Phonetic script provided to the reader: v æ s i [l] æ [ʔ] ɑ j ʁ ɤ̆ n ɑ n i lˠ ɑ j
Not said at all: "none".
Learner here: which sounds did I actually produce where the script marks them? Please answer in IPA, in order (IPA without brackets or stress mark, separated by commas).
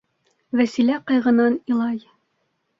l, q